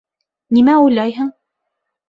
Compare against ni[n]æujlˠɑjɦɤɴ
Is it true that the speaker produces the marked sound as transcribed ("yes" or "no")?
no